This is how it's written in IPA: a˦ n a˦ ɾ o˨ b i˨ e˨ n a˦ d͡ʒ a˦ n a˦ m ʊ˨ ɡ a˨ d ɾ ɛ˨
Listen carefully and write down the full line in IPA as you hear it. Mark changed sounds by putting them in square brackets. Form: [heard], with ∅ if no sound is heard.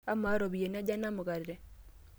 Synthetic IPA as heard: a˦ [m] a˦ ɾ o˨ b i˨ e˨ n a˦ d͡ʒ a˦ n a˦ m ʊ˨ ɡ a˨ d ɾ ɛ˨